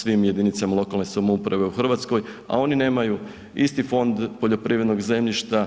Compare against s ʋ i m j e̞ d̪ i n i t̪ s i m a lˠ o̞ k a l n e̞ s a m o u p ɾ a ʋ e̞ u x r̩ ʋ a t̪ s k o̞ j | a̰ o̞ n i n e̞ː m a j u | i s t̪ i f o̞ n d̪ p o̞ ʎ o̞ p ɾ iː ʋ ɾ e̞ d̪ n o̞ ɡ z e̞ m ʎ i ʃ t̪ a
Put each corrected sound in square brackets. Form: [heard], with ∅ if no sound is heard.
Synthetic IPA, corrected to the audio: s ʋ i m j e̞ d̪ i n i t̪ s [a] m a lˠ o̞ k a l n e̞ s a m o u p ɾ a ʋ e̞ u x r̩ ʋ a t̪ s k o̞ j | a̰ o̞ n i n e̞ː m a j u | i s t̪ i f o̞ n d̪ p o̞ ʎ o̞ p ɾ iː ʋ ɾ e̞ d̪ n o̞ ɡ z e̞ m ʎ i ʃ t̪ a

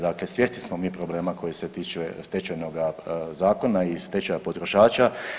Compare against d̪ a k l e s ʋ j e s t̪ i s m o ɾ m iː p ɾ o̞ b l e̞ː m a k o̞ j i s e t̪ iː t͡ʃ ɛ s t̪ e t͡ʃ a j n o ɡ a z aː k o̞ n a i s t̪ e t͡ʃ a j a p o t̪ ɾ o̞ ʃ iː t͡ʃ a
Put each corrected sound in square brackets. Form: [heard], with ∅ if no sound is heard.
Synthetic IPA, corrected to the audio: d̪ a k l e s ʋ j e s t̪ i s m o [∅] m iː p ɾ o̞ b l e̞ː m a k o̞ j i s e t̪ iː t͡ʃ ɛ s t̪ e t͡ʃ a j n o ɡ a z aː k o̞ n a i s t̪ e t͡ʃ a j a p o t̪ ɾ o̞ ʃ [aː] t͡ʃ a

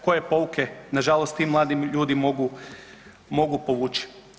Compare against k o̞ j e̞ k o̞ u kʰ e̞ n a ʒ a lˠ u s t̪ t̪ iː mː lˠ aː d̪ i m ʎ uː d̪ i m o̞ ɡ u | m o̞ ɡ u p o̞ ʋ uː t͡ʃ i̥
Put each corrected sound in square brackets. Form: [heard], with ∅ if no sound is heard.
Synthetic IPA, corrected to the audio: k o̞ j e̞ [p] o̞ u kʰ e̞ n a ʒ a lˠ [o] s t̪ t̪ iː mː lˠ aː d̪ i m ʎ uː d̪ i m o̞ ɡ u | m o̞ ɡ u p o̞ ʋ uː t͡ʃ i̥

